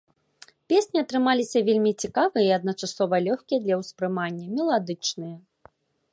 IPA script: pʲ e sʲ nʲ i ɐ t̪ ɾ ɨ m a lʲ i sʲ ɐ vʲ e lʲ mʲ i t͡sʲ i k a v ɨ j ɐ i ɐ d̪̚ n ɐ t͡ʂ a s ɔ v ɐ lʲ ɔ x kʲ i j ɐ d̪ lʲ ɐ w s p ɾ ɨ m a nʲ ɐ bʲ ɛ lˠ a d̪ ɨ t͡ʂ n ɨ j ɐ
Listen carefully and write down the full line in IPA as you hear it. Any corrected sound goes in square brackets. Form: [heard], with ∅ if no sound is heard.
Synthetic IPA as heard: pʲ e sʲ nʲ i ɐ t̪ ɾ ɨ m a lʲ i sʲ ɐ vʲ e lʲ mʲ i t͡sʲ i k a v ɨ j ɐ i ɐ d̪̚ n ɐ t͡ʂ a s ɔ v ɐ lʲ ɔ x kʲ i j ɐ d̪ lʲ ɐ w s p ɾ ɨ m a [nʲː] ɐ [mʲ] ɛ lˠ a d̪ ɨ t͡ʂ n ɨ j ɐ